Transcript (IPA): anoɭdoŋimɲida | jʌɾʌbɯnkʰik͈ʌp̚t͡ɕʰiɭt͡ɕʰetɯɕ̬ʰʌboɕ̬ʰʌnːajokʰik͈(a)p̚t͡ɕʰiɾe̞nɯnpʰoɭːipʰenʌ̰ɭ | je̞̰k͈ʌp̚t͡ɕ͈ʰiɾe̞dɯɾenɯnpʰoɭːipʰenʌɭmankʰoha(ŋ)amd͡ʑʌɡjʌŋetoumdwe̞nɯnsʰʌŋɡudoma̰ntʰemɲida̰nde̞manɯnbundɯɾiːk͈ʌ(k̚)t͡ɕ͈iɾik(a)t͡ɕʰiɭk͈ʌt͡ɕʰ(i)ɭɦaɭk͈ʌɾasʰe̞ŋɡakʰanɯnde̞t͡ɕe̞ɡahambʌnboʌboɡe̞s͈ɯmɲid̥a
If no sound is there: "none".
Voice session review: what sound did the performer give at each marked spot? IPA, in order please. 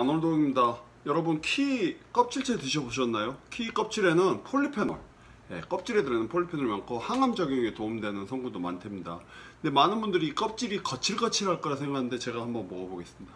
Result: ʌ, ŋ, p̚, ʌ, i

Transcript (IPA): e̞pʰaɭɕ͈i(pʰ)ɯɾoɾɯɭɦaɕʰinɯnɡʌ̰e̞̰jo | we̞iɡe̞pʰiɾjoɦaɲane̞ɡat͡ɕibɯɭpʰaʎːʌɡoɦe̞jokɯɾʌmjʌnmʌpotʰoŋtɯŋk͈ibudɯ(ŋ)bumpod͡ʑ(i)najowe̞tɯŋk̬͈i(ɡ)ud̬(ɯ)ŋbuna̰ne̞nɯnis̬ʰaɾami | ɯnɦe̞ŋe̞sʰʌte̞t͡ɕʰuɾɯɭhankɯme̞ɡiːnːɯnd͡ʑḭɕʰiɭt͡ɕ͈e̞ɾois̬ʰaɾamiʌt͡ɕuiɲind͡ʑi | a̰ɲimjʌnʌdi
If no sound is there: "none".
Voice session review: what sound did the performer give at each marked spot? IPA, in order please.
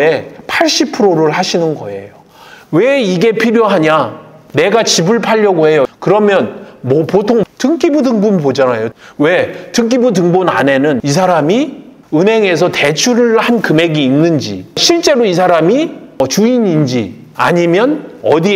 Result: pʰ, ŋ, a, b, ɯ

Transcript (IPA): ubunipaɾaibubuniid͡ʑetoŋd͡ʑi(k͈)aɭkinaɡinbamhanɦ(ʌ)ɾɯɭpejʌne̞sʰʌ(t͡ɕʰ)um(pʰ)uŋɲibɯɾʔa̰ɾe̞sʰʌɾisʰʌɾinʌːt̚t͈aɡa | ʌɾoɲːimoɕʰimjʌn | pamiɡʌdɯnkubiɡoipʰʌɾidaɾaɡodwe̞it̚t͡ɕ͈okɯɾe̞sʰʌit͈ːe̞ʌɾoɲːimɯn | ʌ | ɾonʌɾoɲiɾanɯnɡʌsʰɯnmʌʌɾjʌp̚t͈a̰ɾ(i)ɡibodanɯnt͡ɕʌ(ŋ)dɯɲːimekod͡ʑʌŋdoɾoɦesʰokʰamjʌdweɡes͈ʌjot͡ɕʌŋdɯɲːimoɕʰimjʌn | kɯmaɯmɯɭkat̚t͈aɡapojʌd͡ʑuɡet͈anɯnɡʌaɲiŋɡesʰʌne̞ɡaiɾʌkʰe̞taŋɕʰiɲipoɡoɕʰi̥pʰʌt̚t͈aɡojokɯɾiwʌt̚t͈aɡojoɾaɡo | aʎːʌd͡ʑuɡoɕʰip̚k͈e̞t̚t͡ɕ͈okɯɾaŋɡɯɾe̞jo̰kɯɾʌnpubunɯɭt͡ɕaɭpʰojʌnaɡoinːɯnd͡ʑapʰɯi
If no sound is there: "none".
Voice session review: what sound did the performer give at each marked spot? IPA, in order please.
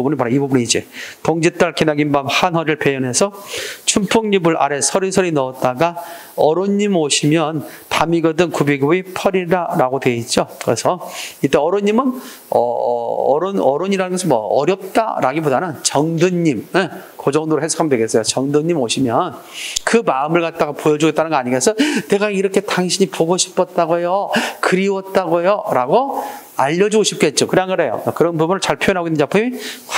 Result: t͈, ʌ, t͡ɕʰ, pʰ, a, ŋ

